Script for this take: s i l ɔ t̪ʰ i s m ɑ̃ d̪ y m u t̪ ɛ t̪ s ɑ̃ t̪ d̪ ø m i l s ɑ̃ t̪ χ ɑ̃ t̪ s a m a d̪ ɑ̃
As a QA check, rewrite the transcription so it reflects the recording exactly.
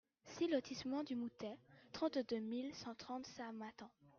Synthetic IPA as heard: s i l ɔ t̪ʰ i s m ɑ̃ d̪ y m u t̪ ɛ t̪ χ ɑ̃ t̪ d̪ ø m i l s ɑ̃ t̪ χ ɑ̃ t̪ s a m a t̪ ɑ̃